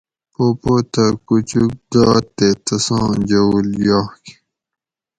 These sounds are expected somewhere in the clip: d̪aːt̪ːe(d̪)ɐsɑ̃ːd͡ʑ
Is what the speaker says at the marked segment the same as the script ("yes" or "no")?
no